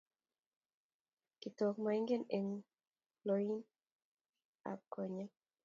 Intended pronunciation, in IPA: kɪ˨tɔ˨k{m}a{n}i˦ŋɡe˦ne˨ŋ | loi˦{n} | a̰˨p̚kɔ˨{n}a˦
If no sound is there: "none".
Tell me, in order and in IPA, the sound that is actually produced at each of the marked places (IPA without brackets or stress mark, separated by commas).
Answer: m, none, n, ɲ